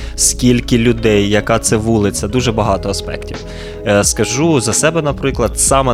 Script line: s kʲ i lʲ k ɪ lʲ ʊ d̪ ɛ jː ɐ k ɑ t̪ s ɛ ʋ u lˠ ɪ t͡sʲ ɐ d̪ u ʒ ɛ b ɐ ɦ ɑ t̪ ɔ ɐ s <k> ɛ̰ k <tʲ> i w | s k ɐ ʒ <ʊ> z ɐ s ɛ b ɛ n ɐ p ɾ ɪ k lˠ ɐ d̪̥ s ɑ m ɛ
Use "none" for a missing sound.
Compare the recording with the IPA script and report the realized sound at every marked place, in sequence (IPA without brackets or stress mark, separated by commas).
p, tʲ, u